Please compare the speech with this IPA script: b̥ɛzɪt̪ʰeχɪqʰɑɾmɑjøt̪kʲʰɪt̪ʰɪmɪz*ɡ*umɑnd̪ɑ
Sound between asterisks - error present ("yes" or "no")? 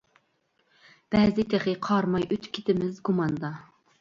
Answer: no